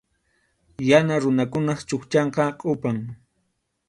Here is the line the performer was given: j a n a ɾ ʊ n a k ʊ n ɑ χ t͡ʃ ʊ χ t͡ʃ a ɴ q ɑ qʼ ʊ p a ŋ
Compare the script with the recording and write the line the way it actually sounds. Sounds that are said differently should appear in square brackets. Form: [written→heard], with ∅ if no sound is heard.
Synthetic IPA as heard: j a n a ɾ ʊ n a k ʊ n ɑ χ t͡ʃ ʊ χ t͡ʃ [a→ɑ] ɴ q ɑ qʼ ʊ p a ŋ